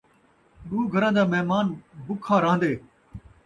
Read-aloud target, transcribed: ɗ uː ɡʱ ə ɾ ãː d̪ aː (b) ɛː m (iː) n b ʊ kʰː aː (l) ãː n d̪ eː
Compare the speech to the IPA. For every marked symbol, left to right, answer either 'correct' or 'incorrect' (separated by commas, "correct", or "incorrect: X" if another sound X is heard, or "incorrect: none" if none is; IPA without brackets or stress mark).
incorrect: m, incorrect: aː, incorrect: ɾ